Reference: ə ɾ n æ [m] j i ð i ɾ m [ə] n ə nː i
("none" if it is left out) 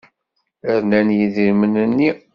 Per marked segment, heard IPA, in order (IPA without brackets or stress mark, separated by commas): n, ə